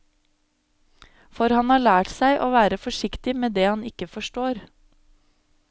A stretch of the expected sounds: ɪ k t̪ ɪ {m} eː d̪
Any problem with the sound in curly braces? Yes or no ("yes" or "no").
no